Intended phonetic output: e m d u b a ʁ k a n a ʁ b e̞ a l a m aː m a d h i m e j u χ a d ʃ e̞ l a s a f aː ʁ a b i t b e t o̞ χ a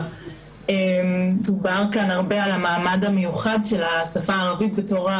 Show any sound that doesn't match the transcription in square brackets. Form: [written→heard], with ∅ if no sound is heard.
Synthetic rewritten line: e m d u b a ʁ k a n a ʁ b e̞ a l a m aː m a d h [i→a] m e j u χ a d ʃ e̞ l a s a f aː ʁ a [b→v] i t b e t o̞ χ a